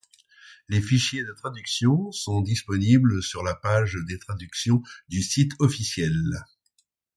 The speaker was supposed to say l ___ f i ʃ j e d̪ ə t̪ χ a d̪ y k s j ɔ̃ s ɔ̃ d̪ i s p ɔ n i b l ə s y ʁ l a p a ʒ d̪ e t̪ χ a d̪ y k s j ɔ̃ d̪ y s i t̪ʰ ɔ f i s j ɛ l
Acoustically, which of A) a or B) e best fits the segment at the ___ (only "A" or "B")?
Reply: B